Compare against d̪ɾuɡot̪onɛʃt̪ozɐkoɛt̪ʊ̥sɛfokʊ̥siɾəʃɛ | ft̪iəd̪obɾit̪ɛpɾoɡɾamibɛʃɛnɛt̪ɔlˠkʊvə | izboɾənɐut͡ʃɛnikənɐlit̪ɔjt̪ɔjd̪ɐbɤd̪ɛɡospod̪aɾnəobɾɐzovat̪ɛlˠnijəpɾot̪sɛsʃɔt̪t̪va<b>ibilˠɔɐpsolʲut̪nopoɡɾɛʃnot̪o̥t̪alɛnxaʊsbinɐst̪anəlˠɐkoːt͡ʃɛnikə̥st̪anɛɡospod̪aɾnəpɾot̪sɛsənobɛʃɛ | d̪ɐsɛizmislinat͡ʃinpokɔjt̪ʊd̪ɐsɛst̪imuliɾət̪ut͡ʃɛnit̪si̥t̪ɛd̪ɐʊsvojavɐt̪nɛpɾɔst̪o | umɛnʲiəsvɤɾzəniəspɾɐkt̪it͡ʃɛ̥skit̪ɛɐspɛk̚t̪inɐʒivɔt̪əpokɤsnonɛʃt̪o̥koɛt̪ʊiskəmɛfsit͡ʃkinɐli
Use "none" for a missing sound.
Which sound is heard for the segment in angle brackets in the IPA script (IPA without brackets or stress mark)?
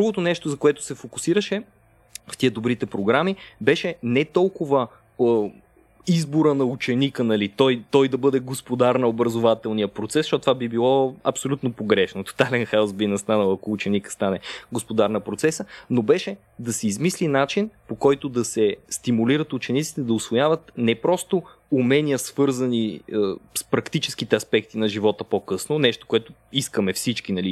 b